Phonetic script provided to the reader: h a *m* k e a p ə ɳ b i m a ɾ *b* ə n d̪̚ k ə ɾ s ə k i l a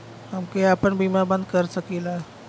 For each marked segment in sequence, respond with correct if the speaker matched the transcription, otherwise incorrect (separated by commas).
correct, correct